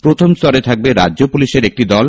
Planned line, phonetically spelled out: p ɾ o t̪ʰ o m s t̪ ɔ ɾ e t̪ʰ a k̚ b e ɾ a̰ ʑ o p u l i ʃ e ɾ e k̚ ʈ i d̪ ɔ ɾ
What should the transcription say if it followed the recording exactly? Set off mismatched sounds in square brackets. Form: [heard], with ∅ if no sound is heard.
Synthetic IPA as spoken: p ɾ o t̪ʰ o m s t̪ ɔ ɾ e t̪ʰ a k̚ b e ɾ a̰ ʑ o p u l i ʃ e ɾ e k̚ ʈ i d̪ ɔ [l]